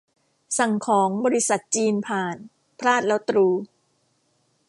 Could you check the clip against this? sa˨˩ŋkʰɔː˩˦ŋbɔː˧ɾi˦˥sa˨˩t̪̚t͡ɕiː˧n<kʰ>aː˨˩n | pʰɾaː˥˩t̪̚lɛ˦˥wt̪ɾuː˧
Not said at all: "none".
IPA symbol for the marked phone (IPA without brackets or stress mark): pʰ